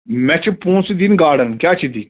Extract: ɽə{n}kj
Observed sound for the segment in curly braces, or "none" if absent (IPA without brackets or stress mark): n